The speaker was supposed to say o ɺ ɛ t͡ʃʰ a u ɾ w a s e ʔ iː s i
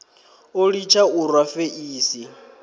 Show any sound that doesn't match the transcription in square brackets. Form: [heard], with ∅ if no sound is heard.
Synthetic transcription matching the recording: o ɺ [i] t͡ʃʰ a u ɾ w a [f] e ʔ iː s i

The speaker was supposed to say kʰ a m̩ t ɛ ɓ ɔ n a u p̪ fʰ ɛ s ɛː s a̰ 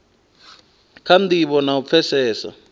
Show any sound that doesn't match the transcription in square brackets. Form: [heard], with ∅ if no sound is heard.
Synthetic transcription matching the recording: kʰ a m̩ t [i] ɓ ɔ n a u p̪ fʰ ɛ s ɛː s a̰

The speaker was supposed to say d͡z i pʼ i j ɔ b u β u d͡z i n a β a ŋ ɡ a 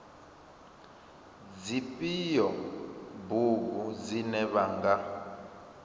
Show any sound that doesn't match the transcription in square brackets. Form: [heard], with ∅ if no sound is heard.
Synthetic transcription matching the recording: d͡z i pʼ i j ɔ b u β u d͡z i n [ɛ] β a ŋ ɡ a

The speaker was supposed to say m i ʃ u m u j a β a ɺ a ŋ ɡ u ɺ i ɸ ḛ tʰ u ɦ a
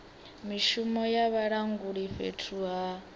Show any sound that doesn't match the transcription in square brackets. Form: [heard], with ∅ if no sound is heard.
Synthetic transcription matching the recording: m i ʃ u m [ɔ] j a β a ɺ a ŋ ɡ u ɺ i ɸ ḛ tʰ u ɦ a

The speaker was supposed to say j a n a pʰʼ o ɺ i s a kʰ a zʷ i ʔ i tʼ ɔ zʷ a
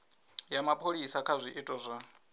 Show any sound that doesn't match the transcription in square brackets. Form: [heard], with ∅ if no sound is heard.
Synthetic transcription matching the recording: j a [m] a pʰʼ o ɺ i s a kʰ a zʷ i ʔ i tʼ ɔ zʷ a

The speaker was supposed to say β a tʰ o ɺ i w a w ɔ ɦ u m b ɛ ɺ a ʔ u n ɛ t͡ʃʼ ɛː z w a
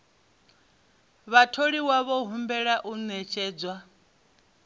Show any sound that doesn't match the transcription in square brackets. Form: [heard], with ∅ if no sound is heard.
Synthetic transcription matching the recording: β a tʰ o ɺ i w a [β] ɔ ɦ u m b ɛ ɺ a ʔ u n ɛ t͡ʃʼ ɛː [d͡z] w a

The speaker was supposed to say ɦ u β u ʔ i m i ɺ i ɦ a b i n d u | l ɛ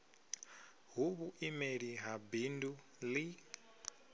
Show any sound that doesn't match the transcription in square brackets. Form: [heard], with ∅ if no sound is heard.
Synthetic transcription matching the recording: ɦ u β u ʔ i m [e] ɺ i ɦ a b i n d u | l [i]

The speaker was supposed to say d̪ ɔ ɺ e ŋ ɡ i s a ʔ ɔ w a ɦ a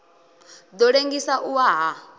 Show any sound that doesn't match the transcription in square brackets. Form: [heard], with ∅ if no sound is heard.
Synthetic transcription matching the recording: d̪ ɔ ɺ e ŋ ɡ i s a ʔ [u] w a ɦ a

